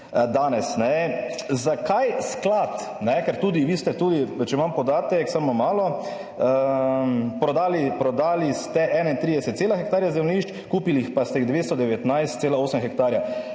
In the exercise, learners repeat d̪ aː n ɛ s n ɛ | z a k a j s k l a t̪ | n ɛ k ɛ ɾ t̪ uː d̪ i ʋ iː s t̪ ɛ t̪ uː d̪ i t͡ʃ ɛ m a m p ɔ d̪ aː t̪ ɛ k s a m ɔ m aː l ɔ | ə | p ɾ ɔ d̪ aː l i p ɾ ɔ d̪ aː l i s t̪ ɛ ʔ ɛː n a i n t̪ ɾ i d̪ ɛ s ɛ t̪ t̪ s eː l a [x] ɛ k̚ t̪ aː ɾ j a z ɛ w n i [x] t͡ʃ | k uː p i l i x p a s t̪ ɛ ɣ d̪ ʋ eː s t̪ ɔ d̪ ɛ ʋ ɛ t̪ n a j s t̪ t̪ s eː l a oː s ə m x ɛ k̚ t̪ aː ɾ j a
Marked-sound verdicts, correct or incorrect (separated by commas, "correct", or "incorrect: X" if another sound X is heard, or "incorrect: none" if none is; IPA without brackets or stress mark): correct, incorrect: ʃ